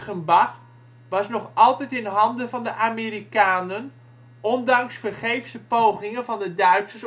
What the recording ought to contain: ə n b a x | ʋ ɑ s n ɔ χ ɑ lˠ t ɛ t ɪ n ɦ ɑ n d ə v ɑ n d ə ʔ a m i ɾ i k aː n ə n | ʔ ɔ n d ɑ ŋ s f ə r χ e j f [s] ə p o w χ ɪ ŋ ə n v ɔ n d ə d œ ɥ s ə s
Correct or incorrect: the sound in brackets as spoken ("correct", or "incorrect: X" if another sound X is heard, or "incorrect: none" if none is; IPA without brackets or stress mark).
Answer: correct